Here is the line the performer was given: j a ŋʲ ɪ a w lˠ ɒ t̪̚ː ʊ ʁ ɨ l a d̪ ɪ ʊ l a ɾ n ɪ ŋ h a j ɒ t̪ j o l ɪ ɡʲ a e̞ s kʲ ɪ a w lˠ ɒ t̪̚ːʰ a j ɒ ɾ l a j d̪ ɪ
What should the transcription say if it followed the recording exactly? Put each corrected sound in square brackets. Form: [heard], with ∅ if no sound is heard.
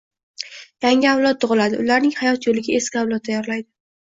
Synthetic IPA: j a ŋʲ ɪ a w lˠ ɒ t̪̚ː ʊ ʁ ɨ l a d̪ ɪ ʊ l a ɾ n ɪ ŋ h a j ɒ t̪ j o l ɪ ɡʲ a e̞ s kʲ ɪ a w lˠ ɒ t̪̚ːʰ a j ɒ ɾ l a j d̪ ɪ